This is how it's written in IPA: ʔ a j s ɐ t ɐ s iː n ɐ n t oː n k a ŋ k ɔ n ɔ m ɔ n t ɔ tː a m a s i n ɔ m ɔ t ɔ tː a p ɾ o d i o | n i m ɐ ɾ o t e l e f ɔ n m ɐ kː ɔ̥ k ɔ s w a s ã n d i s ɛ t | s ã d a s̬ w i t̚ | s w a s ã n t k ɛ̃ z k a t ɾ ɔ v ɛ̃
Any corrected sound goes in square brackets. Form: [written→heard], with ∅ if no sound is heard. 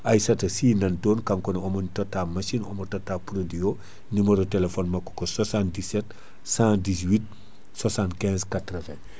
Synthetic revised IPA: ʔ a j s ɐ t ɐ s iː n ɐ n t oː n k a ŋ k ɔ n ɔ m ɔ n t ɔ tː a m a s i n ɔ m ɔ t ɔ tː a p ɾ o d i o | n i m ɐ ɾ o t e l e f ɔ n m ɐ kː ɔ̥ k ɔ s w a s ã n d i s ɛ t | s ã d [a→i] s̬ w i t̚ | s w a s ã n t k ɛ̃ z k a t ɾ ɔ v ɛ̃